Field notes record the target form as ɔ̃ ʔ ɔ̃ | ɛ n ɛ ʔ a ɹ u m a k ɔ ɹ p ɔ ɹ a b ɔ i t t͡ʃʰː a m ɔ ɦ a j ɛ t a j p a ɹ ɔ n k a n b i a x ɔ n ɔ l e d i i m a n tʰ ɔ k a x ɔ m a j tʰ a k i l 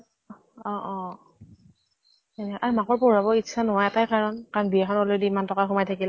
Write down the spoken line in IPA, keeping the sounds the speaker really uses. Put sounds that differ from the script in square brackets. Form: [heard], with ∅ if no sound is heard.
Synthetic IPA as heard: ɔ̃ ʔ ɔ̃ | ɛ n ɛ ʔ a ɹ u m a k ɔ ɹ p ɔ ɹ a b ɔ i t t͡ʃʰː a [n] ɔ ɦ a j ɛ t a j [k] a ɹ ɔ n k a n b i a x ɔ n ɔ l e d i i m a n [t] ɔ k a x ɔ m a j tʰ a k i l